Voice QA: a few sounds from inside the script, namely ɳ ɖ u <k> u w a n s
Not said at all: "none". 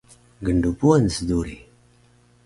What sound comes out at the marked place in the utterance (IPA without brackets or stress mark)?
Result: p